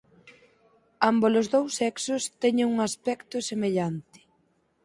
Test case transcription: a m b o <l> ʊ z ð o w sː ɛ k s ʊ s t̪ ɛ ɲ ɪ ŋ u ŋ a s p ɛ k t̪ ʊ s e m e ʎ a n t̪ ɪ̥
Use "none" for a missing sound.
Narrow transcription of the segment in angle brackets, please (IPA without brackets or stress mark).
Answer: l